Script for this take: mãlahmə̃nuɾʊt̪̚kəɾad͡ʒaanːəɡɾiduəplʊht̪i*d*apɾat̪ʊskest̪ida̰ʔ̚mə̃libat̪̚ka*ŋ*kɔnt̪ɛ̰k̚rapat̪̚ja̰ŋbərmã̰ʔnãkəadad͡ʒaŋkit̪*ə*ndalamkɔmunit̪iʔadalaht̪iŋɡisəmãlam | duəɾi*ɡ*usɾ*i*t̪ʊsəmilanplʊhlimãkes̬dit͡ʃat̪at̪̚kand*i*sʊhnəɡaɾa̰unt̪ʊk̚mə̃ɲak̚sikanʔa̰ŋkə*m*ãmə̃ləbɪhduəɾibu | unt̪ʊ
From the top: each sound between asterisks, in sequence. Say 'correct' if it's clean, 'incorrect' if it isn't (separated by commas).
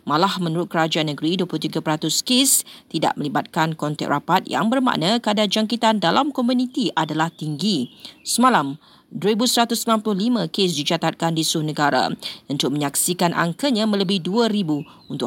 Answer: incorrect, incorrect, incorrect, incorrect, incorrect, correct, incorrect